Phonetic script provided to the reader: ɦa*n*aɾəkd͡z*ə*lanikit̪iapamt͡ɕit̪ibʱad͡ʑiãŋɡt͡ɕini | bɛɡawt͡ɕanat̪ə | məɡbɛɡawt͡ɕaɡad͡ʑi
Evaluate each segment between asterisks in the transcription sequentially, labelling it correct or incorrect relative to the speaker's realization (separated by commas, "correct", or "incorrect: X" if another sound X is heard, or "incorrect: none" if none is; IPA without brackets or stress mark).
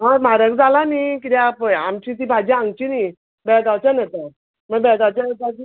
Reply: incorrect: m, incorrect: a